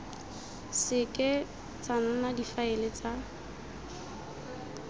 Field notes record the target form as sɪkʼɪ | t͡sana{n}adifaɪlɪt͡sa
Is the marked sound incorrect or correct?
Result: correct